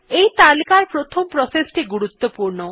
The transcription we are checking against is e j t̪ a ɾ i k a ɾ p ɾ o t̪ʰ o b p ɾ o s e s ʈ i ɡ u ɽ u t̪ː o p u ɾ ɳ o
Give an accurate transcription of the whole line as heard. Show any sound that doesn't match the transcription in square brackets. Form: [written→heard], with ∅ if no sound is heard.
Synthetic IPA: e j t̪ a [ɾ→l] i k a ɾ p ɾ o t̪ʰ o [b→m] p ɾ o s e s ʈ i ɡ u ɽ u t̪ː o p u ɾ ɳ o